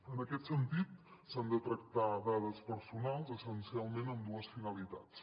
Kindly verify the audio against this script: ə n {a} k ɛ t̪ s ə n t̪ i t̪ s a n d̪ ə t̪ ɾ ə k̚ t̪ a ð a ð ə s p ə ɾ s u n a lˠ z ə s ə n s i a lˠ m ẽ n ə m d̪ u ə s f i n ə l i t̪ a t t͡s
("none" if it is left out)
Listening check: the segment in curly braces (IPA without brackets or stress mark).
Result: ə